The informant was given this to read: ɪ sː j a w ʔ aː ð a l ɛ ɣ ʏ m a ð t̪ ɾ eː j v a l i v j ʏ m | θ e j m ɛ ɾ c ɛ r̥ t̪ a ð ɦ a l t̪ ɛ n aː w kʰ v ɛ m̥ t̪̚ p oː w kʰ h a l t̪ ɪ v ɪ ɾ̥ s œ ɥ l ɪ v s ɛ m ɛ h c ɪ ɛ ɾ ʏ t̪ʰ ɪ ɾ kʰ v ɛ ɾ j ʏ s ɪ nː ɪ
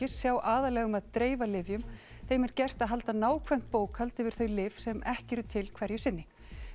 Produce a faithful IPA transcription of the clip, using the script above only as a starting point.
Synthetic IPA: ɪ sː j a w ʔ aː ð a l ɛ ɣ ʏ m a ð t̪ ɾ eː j v a l ɪ v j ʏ m | θ e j m ɛ ɾ c ɛ r̥ t̪ a ð ɦ a l t̪ a n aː w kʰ v ɛ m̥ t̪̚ p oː w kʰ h a l t̪ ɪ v ɪ ɾ̥ θ œ ɥ l ɪ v s ɛ m ɛ h c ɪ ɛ ɾ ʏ t̪ʰ ɪ l kʰ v ɛ ɾ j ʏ s ɪ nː ɪ